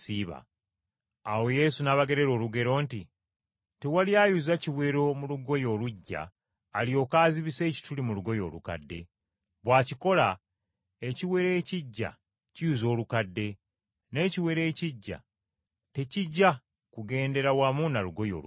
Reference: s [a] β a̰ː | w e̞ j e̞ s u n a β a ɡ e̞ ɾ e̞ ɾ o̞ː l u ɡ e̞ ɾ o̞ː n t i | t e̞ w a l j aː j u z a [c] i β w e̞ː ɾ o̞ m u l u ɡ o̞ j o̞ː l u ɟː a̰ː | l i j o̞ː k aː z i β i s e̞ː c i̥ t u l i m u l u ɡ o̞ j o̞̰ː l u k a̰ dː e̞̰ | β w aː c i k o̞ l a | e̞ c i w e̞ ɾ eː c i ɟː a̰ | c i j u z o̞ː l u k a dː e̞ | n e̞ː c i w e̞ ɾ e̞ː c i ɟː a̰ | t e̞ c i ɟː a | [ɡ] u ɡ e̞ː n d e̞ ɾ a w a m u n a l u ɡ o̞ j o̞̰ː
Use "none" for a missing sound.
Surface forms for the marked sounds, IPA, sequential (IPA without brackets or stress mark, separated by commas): i, c, k